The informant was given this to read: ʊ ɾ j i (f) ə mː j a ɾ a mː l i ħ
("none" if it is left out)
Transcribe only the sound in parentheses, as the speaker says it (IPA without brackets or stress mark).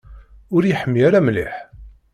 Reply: ħ